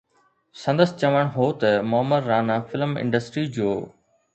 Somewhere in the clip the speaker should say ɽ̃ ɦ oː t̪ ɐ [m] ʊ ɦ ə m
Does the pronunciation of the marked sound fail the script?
no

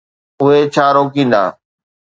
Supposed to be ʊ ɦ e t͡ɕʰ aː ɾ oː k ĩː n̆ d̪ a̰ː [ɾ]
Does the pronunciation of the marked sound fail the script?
yes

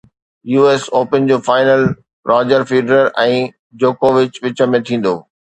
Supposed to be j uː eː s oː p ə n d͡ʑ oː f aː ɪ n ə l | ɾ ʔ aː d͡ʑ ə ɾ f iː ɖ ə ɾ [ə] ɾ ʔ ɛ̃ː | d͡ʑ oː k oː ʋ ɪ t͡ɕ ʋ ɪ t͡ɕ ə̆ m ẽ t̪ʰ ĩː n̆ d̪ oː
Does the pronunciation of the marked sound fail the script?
no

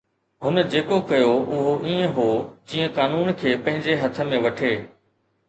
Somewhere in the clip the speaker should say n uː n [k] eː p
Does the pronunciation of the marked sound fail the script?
yes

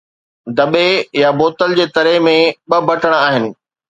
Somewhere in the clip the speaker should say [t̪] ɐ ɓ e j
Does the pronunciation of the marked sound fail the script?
yes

